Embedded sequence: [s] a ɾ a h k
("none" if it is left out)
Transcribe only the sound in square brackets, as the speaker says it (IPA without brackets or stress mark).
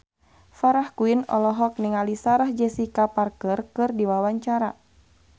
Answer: f